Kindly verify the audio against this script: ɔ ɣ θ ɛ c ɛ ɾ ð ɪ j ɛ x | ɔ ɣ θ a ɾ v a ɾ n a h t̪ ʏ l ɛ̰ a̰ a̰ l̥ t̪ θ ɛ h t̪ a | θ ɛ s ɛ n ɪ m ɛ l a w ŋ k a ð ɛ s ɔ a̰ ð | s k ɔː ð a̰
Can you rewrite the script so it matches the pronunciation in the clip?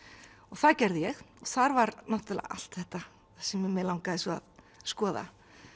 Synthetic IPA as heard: ɔ ɣ θ a c ɛ ɾ ð ɪ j ɛ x | ɔ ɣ θ a ɾ v a ɾ n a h t̪ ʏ l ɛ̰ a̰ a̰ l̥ t̪ θ ɛ h t̪ a | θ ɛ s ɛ m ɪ m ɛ l a w ŋ k a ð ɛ s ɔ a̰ ð | s k ɔː ð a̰

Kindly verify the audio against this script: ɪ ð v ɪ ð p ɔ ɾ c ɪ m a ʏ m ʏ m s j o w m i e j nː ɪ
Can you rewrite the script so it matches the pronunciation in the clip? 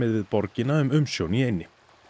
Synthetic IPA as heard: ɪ ð v ɪ ð p ɔ ɾ c ɪ n a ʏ m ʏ m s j o w n i e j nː ɪ

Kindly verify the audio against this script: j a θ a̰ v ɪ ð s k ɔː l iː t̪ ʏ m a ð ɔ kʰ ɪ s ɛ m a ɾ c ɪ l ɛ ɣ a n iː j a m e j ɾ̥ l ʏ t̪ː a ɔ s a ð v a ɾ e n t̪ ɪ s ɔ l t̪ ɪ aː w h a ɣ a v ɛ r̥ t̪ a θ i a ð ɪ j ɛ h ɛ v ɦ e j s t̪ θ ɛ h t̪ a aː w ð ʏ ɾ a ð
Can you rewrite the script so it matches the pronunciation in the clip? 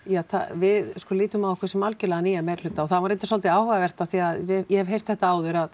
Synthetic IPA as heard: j a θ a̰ v ɪ ð s k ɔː l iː t̪ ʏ m a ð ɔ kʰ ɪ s ɛ m a l c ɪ l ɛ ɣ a n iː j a m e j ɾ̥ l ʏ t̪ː a ɔ θ a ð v a ɾ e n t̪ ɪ s ɔ l t̪ ɪ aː w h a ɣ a v ɛ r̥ t̪ a θ i a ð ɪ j ɛ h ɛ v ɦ e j s t̪ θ ɛ h t̪ a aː w ð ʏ ɾ a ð

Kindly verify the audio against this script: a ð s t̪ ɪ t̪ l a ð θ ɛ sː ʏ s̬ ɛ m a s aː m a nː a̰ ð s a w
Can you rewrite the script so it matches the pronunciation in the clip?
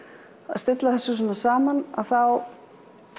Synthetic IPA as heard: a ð s t̪ ɪ t̪ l a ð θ ɛ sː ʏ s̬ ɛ m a s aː m a n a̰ ð θ a w

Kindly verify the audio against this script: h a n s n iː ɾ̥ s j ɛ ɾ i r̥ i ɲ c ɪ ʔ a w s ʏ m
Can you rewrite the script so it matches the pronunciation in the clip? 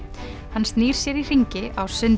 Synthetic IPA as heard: h a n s n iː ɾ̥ s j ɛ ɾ i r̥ i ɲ c ɪ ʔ a w s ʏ n

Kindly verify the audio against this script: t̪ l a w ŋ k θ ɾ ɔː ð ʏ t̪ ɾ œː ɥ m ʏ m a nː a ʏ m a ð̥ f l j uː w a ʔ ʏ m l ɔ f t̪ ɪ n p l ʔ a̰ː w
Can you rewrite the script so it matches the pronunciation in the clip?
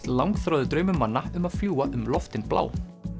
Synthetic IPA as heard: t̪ l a w ŋ k θ ɾ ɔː ð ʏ t̪ ɾ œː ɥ m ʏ m a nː a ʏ m a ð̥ f l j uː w a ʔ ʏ m l ɔ f t̪ ɪ n p l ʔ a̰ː w

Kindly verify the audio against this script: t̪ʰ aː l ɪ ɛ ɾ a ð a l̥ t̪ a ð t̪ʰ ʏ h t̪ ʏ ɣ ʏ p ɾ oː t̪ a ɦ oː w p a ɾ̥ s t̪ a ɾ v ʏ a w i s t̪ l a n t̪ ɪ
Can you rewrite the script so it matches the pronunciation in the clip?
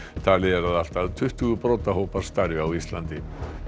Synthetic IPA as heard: t̪ʰ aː l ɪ ɛ ɾ a ð a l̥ t̪ a ð t̪ʰ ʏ h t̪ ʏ ɣ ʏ p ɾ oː t̪ a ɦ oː w p a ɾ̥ s t̪ a ɾ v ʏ a w i s t̪ l a n t̪ ɪ

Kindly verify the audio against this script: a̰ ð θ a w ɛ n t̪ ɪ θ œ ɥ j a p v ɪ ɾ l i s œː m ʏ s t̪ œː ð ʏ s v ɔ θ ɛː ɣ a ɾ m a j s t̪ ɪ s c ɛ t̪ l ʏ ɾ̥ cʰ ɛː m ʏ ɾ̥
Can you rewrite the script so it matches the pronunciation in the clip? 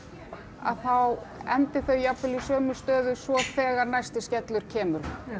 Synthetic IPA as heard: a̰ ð θ a w ɛ n t̪ ɪ θ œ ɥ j a p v ɪ l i s œː m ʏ s t̪ œː ð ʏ s v ɔ θ ɛː ɣ a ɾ n a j s t̪ ɪ s c ɛ t̪ l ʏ ɾ̥ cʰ ɛː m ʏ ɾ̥

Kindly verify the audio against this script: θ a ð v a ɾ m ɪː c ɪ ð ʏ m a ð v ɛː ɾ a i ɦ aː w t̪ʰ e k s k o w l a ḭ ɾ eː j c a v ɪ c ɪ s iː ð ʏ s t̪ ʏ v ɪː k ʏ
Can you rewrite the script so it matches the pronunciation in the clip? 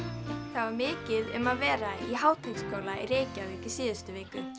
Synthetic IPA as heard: θ a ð v a ɾ m ɪː c ɪ ð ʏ m a ð v ɛː ɾ a i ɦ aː w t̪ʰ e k s k o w l a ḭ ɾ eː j c a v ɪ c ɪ s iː ð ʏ s t̪ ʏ v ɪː k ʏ

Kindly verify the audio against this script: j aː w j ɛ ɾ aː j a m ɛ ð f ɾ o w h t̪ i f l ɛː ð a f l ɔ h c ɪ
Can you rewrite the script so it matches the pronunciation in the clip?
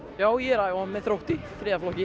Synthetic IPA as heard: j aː w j ɛ ɾ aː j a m ɛ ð θ ɾ o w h t̪ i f ɾ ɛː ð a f l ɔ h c ɪ

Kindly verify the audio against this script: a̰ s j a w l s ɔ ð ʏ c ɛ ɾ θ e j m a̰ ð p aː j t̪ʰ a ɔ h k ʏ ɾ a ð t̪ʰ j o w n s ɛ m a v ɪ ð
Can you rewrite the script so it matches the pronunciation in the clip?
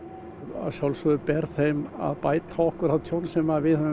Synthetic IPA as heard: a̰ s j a w l s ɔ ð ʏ p ɛ ɾ θ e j m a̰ ð p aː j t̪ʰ a ɔ h k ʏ ɾ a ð t̪ʰ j o w n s ɛ m a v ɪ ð

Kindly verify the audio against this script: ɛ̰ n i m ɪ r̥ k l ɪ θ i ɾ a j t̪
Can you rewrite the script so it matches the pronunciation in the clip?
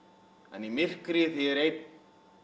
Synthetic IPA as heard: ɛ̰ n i m ɪ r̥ k ɾ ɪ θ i ɾ e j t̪

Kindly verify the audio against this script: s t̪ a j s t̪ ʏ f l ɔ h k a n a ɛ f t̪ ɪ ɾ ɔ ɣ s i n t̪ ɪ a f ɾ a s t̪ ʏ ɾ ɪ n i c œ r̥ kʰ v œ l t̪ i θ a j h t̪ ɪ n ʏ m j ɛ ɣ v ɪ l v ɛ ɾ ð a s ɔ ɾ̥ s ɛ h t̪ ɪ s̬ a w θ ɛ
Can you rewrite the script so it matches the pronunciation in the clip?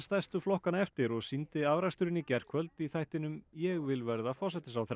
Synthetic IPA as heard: s t̪ a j s t̪ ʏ f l ɔ h k a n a ɛ f t̪ ɪ ɾ ɔ ɣ s i n t̪ ɪ a v ɾ a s t̪ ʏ ɾ ɪ n i c ɛ r̥ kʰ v œ l t̪ i θ a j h t̪ ɪ n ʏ m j ɛ ɣ v ɪ l v ɛ ɾ ð a f ɔ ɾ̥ s ɛ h t̪ ɪ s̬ a w θ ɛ

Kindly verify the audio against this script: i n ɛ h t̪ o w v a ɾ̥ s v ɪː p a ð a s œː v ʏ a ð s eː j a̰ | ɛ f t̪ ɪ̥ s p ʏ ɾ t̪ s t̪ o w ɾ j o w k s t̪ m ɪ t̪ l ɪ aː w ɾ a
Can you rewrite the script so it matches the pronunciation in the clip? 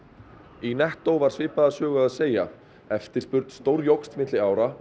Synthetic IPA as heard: i n ɛ h t̪ o w v a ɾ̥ s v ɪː p a ð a s œː ɣ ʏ a ð s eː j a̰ | ɛ f t̪ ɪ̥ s p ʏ ɾ t̪ s t̪ o w ɾ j o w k s t̪ m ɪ t̪ l ɪ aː w ɾ a

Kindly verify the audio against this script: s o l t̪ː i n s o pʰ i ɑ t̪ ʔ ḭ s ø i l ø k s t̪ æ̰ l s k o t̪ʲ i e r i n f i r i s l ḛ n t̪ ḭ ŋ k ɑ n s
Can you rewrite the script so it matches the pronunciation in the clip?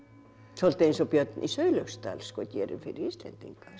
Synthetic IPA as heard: s o l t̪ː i n s o p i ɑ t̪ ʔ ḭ s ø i l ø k s t̪ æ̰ l s k o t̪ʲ i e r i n f i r i s l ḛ n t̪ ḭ ŋ k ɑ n s

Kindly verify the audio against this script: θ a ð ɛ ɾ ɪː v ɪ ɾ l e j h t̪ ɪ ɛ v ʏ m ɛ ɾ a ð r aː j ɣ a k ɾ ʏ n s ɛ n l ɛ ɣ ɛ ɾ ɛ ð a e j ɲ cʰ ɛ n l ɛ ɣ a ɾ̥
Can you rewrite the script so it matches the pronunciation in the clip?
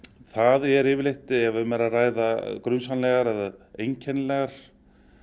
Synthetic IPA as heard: θ a ð ɛ ɾ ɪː v ɪ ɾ l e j h t̪ ɪ ɛ v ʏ m ɛ ɾ a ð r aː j ð a k ɾ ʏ n s a n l ɛ ɣ a ɾ ɛ ð a e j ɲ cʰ ɛ n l ɛ ɣ a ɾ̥

